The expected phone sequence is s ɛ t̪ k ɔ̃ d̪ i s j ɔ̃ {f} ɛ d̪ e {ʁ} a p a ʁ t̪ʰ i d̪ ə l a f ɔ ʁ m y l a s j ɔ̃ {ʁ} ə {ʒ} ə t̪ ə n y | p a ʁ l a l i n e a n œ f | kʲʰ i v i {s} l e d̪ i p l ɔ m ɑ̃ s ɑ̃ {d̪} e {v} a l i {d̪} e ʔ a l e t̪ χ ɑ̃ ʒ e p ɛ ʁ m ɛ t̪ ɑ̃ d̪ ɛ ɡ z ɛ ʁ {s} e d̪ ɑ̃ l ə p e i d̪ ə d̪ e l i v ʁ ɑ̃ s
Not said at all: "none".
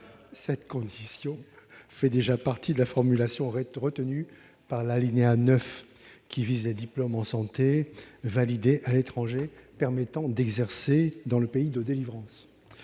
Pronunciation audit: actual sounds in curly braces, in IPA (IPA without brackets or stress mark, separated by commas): f, ʒ, ʁ, ʁ, z, t̪, v, d̪, s